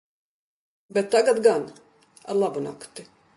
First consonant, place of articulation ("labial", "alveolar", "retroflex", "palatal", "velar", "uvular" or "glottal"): labial